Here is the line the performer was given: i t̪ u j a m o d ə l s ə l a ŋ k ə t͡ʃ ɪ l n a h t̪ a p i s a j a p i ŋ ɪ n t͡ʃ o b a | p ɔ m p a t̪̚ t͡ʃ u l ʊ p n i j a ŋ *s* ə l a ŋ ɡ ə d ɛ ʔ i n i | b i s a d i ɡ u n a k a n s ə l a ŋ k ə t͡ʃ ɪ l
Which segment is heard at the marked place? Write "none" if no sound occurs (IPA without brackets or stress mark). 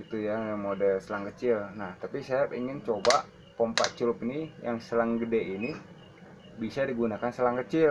s